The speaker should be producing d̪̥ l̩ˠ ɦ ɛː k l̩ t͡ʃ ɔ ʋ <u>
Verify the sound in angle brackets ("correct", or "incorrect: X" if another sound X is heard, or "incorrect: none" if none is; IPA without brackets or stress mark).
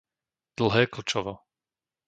incorrect: ɔ